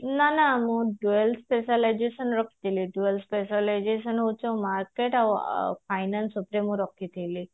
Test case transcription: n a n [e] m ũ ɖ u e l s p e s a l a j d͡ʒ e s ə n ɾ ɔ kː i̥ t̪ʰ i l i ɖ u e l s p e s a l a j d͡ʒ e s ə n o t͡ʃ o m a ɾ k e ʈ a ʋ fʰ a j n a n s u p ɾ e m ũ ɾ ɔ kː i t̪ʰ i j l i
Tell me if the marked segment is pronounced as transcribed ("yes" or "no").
no